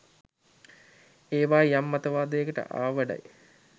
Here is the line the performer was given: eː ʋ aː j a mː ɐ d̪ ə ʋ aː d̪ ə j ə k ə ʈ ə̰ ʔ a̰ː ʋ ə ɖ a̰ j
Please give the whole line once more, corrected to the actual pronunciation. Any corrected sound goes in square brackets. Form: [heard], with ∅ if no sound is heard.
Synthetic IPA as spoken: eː ʋ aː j a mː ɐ [t̪] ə ʋ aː d̪ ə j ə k ə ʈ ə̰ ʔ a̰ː ʋ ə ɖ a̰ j